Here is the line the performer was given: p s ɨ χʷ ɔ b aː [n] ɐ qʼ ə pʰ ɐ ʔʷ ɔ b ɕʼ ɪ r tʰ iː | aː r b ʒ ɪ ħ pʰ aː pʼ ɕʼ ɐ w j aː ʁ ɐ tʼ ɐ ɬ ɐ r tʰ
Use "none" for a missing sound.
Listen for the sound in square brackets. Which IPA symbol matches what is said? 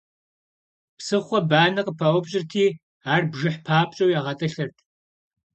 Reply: n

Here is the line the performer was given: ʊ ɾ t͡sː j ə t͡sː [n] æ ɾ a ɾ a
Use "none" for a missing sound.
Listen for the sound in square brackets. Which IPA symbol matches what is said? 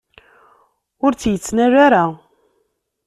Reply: n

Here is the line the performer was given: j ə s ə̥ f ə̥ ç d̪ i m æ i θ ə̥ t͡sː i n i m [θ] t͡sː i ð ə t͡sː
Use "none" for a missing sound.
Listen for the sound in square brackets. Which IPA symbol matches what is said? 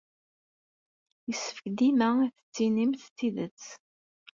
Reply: θ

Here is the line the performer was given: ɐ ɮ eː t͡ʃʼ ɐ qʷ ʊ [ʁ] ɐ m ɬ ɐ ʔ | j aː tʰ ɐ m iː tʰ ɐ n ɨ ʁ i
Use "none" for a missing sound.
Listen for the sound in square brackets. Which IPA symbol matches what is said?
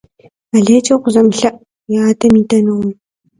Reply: z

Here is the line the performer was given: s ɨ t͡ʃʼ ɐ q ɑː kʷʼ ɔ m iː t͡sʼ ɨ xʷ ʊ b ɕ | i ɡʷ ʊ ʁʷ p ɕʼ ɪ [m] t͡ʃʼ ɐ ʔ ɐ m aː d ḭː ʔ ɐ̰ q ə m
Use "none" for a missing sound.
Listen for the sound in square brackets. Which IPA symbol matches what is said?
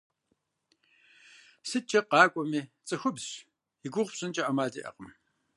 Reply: n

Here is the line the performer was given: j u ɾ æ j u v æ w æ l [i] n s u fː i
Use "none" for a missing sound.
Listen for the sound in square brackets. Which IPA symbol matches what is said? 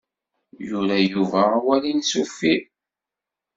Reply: i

